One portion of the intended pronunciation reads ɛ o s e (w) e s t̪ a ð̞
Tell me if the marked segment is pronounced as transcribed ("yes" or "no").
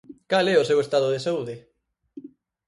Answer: yes